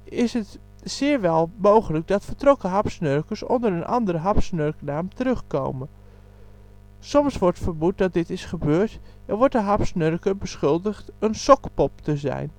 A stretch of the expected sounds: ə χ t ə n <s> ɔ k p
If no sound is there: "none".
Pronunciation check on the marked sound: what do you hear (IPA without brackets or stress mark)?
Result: s